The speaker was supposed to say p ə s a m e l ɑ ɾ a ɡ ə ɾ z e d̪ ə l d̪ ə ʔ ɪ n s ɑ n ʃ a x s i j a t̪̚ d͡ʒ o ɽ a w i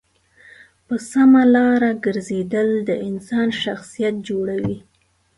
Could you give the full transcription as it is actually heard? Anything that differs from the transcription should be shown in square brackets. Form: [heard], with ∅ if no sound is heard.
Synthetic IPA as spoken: p ə s a m [a] l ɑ ɾ a ɡ ə ɾ z e d̪ ə l d̪ ə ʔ ɪ n s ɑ n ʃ a x s i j a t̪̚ d͡ʒ o ɽ a w i

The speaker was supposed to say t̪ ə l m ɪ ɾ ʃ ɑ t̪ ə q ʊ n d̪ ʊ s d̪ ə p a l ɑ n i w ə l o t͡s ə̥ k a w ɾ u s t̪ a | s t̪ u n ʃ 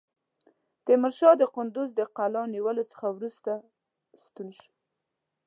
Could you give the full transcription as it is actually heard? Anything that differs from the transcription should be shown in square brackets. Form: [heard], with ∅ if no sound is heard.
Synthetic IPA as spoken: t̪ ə [∅] m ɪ ɾ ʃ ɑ [d̪] ə q ʊ n d̪ ʊ [z] d̪ ə [q] a l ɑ n i w ə l o t͡s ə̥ [x] a w ɾ u s t̪ a | s t̪ u n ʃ

